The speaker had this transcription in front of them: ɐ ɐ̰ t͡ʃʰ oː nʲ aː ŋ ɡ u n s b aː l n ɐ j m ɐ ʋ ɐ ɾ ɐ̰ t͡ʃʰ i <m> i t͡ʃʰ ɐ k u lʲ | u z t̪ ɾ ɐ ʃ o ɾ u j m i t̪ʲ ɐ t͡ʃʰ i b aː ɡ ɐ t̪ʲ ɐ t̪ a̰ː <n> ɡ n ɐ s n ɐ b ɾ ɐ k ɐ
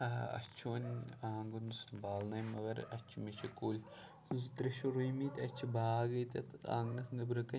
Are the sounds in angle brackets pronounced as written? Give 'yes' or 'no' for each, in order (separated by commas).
yes, no